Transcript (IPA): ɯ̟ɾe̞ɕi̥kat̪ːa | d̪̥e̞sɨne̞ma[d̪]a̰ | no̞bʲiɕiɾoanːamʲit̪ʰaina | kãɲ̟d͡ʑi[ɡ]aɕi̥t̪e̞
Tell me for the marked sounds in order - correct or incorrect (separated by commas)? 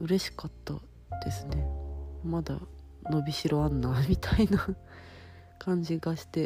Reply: correct, correct